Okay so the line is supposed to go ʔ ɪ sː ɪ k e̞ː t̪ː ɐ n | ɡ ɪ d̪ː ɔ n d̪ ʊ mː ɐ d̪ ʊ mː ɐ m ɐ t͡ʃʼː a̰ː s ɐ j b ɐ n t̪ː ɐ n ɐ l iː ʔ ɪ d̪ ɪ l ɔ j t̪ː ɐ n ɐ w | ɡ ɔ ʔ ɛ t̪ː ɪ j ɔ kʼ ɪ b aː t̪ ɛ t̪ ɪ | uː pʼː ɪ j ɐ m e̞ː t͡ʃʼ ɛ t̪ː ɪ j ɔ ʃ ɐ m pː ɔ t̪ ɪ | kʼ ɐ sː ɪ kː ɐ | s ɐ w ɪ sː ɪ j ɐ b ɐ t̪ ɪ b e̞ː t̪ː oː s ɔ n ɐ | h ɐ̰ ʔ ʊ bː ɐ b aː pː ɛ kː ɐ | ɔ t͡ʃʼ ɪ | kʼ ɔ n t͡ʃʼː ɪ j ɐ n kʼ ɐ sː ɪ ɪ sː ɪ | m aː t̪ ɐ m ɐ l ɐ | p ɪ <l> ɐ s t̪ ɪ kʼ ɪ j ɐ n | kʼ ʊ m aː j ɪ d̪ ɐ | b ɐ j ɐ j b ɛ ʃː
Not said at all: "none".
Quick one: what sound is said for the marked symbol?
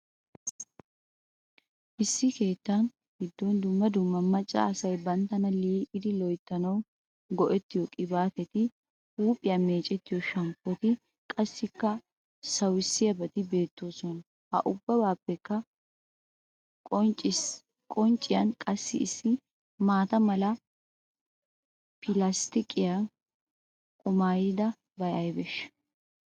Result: l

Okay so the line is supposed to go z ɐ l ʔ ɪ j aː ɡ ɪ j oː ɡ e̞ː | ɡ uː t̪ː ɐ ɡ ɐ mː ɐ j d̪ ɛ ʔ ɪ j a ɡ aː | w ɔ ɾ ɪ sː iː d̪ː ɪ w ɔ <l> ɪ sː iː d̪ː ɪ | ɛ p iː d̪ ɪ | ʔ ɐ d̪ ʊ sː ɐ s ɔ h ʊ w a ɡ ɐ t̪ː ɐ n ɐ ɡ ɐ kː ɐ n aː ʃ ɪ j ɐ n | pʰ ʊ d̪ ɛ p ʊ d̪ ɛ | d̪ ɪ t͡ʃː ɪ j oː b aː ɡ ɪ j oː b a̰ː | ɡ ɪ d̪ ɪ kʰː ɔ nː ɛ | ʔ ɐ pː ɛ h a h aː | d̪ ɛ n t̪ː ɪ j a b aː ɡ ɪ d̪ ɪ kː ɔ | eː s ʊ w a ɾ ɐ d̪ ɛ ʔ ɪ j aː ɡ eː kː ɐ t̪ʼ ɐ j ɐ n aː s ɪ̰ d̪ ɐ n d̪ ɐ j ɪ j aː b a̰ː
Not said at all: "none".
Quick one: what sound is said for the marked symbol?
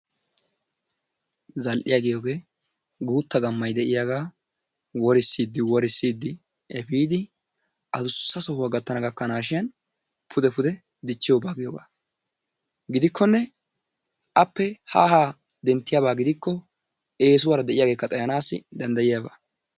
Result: ɾ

